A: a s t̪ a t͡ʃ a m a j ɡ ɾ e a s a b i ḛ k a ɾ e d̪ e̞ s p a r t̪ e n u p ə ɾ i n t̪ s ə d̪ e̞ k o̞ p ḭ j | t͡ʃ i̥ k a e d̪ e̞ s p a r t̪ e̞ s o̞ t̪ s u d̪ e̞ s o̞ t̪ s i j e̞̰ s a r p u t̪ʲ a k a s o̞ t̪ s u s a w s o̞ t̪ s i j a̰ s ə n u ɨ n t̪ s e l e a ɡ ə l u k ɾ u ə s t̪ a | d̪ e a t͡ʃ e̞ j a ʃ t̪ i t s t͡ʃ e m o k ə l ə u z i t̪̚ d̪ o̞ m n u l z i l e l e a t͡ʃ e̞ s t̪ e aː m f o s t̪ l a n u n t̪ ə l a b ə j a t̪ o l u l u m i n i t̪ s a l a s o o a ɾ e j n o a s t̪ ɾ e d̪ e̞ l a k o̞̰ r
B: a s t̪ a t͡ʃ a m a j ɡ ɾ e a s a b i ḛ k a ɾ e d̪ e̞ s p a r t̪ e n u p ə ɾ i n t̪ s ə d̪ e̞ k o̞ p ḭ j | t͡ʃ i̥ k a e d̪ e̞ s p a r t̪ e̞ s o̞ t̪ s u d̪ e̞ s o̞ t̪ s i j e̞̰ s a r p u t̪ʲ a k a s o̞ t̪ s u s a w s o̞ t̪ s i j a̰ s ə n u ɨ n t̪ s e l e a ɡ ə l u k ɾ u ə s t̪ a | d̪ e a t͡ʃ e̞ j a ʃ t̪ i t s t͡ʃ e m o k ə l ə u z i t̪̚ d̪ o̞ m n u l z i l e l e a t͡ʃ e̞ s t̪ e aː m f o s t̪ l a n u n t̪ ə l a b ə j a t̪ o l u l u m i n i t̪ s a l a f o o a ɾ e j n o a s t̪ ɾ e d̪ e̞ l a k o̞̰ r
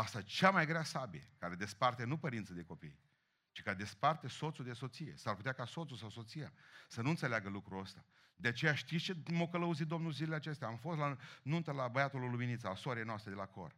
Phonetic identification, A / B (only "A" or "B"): A